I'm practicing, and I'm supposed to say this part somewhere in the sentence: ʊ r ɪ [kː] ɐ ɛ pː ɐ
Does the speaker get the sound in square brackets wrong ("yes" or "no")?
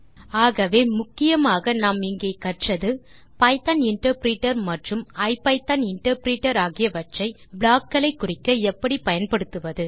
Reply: no